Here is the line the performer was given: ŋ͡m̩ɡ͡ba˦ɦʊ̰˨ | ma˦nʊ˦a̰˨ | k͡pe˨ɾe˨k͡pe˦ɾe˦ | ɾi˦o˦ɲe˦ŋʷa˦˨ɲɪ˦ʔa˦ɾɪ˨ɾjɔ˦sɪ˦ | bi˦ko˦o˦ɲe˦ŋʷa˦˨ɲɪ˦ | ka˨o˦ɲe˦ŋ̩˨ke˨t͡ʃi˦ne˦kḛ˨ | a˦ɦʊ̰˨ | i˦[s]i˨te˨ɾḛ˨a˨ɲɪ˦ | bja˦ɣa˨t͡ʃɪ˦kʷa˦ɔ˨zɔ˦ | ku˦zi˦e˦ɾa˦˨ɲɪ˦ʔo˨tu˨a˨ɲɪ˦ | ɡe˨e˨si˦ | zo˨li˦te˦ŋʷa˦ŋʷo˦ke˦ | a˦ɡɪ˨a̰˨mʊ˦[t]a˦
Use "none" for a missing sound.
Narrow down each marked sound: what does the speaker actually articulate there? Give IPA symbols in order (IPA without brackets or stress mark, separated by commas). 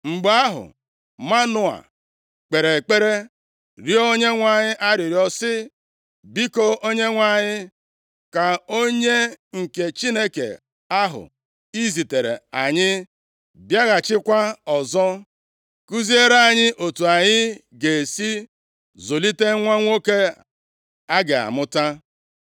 z, t